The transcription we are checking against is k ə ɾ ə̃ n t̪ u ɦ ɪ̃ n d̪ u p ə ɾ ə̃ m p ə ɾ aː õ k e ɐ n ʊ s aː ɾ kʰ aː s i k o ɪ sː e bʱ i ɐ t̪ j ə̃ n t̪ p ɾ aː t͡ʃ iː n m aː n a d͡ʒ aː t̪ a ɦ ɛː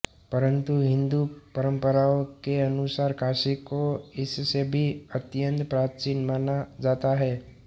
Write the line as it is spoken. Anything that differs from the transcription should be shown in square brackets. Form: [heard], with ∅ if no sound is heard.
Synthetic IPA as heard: [p] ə ɾ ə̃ n t̪ u ɦ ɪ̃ n d̪ u p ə ɾ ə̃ m p ə ɾ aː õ k e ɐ n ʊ s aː ɾ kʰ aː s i k o ɪ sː e bʱ i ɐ t̪ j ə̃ n t̪ p ɾ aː t͡ʃ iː n m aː n a d͡ʒ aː t̪ a ɦ ɛː